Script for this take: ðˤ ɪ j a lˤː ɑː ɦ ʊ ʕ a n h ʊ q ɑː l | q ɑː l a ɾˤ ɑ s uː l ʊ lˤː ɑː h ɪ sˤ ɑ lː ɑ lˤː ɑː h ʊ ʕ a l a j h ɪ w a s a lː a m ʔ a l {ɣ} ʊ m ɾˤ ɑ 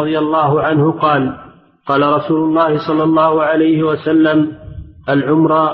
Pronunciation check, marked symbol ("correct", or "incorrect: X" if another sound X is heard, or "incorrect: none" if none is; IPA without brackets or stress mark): incorrect: ʕ